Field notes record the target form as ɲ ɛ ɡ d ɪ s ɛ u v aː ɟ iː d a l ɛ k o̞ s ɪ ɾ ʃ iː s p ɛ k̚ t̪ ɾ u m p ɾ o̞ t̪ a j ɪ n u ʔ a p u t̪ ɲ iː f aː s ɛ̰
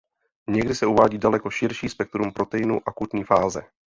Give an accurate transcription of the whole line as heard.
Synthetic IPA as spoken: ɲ ɛ ɡ d ɪ s ɛ u v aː ɟ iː d a l ɛ k o̞ ʃ ɪ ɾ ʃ iː s p ɛ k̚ t̪ ɾ u m p ɾ o̞ t̪ ɛ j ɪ n u ʔ a k u t̪ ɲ iː f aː z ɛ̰